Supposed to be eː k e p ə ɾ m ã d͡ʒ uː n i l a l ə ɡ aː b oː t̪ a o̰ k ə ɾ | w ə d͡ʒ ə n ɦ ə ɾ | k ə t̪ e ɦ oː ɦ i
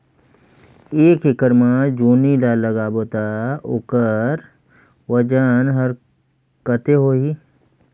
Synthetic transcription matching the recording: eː k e k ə ɾ m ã d͡ʒ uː n i l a l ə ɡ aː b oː t̪ a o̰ k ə ɾ | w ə d͡ʒ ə n ɦ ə ɾ | k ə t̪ e ɦ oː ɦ i